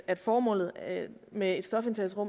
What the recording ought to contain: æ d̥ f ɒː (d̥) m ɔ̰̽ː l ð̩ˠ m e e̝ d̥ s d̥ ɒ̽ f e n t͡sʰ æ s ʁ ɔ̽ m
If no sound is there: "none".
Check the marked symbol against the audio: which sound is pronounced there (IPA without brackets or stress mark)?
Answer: none